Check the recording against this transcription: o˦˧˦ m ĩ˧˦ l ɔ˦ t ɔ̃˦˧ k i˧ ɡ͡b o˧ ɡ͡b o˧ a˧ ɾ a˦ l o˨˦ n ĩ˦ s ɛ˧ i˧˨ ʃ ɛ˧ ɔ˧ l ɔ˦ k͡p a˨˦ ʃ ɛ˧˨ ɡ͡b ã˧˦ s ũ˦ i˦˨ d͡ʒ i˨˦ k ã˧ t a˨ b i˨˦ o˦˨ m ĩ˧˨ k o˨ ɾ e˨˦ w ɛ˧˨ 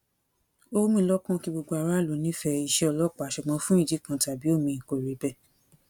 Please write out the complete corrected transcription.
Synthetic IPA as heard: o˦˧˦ m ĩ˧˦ l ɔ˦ k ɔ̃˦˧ k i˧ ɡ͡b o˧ ɡ͡b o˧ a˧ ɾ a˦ l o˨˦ n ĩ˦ f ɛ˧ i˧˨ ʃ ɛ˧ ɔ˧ l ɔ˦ k͡p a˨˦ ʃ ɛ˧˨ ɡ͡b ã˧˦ f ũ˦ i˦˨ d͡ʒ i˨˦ k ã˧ t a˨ b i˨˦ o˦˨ m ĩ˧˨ k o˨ ɾ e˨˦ b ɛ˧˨